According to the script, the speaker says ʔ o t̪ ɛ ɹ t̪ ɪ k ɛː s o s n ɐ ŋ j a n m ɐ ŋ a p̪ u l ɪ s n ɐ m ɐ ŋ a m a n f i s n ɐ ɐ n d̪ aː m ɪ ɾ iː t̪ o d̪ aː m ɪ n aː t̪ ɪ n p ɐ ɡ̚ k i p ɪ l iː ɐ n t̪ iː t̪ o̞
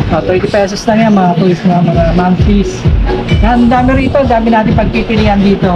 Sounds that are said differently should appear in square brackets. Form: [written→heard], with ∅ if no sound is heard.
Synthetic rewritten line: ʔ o t̪ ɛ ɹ t̪ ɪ [k→p] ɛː s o s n ɐ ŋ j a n m ɐ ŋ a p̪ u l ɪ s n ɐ m ɐ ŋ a m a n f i s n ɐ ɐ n d̪ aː m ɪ ɾ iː t̪ o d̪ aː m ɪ n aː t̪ ɪ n p ɐ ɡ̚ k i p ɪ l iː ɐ n [t̪→d̪] iː t̪ o̞